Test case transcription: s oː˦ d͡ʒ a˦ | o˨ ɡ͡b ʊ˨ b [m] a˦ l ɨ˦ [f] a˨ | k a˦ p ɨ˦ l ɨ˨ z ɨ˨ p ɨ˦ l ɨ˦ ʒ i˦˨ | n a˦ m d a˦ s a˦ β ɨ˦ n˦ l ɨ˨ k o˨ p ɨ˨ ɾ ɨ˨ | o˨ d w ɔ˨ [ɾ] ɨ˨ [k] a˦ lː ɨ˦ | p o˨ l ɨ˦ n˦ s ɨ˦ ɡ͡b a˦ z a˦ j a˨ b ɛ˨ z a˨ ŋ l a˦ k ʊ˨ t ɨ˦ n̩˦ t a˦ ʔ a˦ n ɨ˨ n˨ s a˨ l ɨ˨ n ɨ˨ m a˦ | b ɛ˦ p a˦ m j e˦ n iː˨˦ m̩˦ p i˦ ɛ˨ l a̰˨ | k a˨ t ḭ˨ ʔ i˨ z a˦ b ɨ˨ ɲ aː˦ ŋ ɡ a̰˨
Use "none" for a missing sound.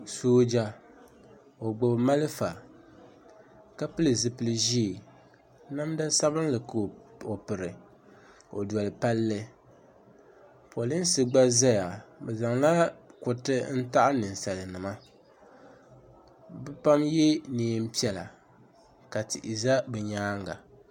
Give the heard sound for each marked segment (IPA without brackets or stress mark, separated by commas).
m, f, l, p